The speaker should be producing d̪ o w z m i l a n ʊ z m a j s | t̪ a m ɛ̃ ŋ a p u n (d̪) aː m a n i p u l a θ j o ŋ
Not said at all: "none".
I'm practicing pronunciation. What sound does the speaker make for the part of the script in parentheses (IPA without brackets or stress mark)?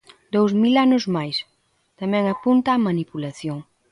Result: t̪